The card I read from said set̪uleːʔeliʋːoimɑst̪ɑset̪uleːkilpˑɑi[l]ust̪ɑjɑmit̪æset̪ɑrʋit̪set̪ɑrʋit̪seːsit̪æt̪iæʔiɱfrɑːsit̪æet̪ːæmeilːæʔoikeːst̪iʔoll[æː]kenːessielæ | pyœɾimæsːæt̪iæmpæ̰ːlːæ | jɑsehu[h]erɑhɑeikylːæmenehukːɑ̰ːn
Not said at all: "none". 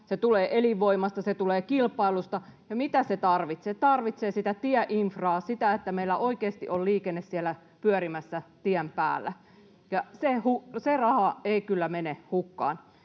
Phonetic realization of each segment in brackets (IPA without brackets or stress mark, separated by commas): l, iː, s